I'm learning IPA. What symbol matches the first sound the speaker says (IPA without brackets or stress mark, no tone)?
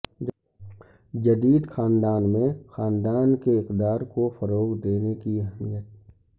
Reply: d͡ʒ